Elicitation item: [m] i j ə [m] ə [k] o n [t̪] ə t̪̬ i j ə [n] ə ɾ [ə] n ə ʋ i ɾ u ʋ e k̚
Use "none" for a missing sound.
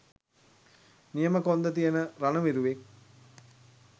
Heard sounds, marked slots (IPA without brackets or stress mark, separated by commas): n, m, k, d̪, n, a